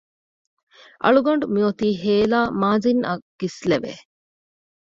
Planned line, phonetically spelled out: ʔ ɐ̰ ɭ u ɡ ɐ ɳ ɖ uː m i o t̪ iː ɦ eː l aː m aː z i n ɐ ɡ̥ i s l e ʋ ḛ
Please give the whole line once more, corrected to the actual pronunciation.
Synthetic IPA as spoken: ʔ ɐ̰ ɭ u ɡ ɐ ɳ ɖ u m i o t̪ iː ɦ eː l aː m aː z i n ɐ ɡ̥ i s l e ʋ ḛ